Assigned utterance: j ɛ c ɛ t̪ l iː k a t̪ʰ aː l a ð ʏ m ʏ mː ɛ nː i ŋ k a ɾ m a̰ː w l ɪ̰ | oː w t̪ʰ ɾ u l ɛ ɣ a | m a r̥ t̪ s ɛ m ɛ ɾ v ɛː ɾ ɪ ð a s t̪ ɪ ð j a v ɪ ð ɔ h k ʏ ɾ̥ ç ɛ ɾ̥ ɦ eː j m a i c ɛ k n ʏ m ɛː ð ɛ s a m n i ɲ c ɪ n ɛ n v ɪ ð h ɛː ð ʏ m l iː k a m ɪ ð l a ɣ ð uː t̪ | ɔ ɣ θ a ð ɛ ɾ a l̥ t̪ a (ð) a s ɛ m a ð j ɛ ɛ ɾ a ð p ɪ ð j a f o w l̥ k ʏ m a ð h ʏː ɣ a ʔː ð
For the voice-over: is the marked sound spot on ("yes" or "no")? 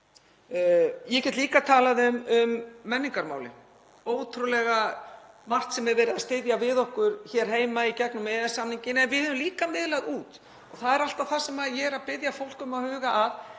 no